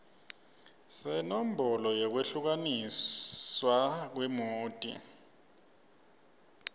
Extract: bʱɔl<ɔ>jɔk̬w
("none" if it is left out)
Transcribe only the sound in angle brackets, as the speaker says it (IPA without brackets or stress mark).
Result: ɔ